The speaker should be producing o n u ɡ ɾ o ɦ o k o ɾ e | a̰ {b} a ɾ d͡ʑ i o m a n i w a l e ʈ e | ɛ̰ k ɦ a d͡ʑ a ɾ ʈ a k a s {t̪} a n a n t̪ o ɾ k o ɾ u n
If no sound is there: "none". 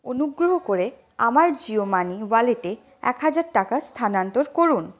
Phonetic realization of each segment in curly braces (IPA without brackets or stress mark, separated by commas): m, t̪ʰ